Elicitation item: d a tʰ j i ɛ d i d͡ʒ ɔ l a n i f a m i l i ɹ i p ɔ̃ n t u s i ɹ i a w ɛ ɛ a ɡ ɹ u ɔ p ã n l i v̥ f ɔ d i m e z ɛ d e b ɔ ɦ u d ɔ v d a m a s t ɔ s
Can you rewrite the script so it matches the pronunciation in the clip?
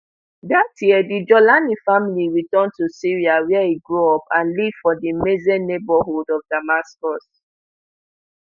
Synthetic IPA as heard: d a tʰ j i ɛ d i d͡ʒ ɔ l a n i f a m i l i ɹ i t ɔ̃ n t u s i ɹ i a w ɛ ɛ i ɡ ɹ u ɔ p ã n l i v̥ f ɔ d i m e z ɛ n e b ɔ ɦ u d ɔ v d a m a s k ɔ s